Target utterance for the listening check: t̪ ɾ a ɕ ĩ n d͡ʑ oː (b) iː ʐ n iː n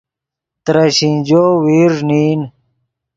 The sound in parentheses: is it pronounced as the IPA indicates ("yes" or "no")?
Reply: no